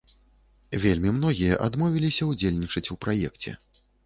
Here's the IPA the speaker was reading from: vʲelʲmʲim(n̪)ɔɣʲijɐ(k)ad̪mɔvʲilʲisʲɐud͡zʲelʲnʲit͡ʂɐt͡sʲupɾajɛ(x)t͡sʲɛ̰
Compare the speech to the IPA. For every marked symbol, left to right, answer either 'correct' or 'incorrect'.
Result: correct, incorrect, incorrect

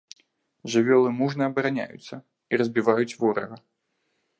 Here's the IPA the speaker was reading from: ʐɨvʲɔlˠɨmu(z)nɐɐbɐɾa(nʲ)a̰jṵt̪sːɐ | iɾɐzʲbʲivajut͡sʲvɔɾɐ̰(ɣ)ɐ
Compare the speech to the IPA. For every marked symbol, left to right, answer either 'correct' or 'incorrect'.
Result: incorrect, correct, correct

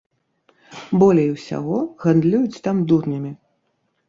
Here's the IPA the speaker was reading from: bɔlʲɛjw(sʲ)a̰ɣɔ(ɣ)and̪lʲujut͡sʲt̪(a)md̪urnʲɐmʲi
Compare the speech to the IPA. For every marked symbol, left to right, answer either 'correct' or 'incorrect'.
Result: correct, correct, correct

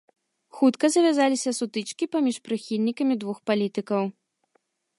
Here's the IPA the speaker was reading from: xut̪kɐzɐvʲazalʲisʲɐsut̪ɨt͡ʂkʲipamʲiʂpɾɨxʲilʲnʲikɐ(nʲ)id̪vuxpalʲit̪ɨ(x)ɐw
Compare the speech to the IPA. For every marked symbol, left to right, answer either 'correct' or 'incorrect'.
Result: incorrect, incorrect

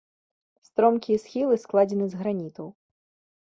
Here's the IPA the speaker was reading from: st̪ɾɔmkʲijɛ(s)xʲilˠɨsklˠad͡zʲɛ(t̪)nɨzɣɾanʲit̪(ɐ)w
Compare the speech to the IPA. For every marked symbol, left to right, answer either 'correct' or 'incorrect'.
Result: correct, incorrect, correct

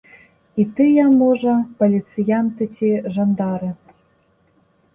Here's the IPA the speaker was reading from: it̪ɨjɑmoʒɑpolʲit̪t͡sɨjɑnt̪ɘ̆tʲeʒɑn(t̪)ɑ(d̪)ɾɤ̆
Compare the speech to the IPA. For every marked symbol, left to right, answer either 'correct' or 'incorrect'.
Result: incorrect, incorrect

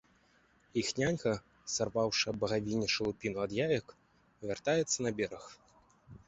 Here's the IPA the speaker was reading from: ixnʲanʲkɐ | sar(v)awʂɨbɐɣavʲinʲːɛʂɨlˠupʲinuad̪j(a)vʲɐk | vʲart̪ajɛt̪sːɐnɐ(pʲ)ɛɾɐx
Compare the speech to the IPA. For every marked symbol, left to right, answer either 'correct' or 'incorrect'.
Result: correct, correct, incorrect

